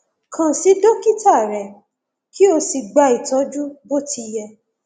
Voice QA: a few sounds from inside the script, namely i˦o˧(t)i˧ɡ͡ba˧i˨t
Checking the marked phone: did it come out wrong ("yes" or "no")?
yes